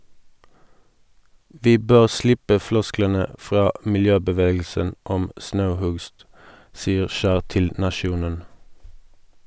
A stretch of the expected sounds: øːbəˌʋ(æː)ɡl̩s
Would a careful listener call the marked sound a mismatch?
yes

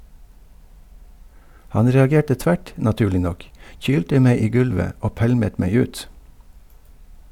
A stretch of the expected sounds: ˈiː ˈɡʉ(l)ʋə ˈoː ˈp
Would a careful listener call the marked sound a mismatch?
no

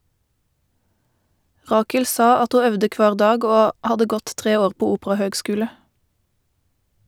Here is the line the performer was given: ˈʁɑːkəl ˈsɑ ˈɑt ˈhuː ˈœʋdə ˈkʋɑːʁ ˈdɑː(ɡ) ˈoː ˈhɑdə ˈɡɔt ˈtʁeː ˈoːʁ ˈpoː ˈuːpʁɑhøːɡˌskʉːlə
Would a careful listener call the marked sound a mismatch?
no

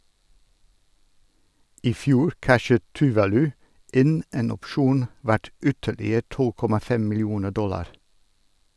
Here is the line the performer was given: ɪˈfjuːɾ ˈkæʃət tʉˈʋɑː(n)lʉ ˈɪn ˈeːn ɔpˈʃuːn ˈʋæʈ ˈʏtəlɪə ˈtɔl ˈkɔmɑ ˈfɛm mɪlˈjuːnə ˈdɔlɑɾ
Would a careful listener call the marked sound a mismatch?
yes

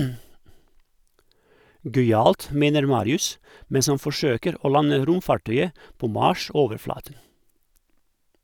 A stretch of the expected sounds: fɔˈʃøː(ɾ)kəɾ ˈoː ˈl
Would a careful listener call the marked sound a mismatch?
yes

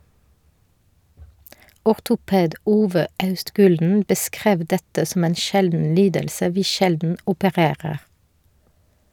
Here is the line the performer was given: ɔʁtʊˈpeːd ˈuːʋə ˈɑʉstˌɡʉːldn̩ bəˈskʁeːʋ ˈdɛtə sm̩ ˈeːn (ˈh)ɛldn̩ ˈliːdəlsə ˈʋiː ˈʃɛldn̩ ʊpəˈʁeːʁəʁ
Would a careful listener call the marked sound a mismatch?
yes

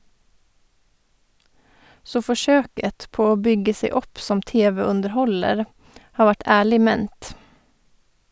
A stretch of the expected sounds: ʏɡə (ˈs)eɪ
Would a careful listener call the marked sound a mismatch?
no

